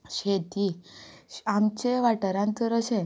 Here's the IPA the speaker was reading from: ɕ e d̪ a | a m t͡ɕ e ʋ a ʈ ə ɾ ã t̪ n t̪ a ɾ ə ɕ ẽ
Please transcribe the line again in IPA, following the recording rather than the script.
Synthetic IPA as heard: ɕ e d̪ i | a m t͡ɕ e ʋ a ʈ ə ɾ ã n t̪ ə ɾ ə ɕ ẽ